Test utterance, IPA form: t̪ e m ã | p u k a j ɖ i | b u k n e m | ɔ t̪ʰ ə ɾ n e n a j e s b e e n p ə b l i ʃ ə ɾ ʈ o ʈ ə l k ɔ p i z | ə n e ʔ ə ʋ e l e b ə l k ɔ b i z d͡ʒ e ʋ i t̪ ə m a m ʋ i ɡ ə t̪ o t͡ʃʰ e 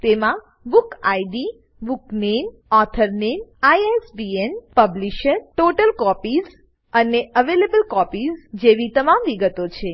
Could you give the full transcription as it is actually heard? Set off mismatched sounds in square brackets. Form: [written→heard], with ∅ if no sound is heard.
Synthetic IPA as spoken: t̪ e m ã | [p→b] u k a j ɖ i | b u k n e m | ɔ t̪ʰ ə ɾ n e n a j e s b [e→i] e n p ə b l i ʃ ə ɾ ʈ o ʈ ə l k ɔ p i z | ə n e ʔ ə ʋ e l e b ə l k ɔ [b→p] i z d͡ʒ e ʋ i t̪ ə m a m ʋ i ɡ ə t̪ o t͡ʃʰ e